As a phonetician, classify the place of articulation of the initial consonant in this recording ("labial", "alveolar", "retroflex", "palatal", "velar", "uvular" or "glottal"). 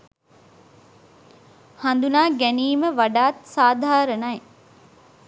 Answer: glottal